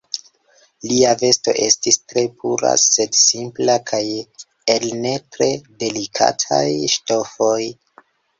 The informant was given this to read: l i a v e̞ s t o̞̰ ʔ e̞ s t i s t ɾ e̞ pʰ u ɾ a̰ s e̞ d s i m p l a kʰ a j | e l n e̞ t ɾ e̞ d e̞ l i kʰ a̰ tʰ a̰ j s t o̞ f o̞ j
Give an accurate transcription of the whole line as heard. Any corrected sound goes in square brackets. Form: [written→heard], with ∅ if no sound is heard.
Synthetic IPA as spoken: l i a v e̞ s t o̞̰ ʔ e̞ s t i s t ɾ e̞ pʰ u ɾ a̰ s e̞ d s i m p l a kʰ a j | e l n e̞ t ɾ e̞ d e̞ l i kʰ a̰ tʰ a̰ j [s→ʃ] t o̞ f o̞ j